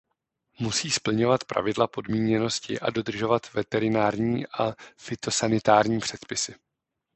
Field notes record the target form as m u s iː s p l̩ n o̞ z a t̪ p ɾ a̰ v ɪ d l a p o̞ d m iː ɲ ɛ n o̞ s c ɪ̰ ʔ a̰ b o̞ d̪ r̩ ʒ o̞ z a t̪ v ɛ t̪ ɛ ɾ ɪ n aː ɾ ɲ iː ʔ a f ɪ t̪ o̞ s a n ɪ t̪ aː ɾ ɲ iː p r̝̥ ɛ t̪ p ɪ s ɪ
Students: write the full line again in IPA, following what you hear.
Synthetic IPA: m u s iː s p l̩ ɲ o̞ v a t̪ p ɾ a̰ v ɪ d l a p o̞ d m iː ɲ ɛ n o̞ s c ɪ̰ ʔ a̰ d o̞ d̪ r̩ ʒ o̞ v a t̪ v ɛ t̪ ɛ ɾ ɪ n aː ɾ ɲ iː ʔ a f ɪ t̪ o̞ s a n ɪ t̪ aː ɾ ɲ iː p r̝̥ ɛ t̪ p ɪ s ɪ